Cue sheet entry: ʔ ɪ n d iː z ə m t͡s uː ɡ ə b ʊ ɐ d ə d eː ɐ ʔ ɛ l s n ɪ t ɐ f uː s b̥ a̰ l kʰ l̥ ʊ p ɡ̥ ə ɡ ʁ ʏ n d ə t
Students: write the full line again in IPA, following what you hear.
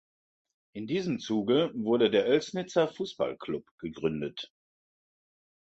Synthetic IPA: ʔ ɪ n d iː z ə m t͡s uː ɡ ə v ʊ ɐ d ə d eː ɐ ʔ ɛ l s n ɪ t͡s ɐ f uː s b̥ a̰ l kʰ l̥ ʊ p ɡ̥ ə ɡ ʁ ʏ n d ə t